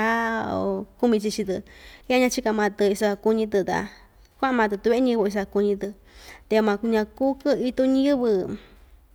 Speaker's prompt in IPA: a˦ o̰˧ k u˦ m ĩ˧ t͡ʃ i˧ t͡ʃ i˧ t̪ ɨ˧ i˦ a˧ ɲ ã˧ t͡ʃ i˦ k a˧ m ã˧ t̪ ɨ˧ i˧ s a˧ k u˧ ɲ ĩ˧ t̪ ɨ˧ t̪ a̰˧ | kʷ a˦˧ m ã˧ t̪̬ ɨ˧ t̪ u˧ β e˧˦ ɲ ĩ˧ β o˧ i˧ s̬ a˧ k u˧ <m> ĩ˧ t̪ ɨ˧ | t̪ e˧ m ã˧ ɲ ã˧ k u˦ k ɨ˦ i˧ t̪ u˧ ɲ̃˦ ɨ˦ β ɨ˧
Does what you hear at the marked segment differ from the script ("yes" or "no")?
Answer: yes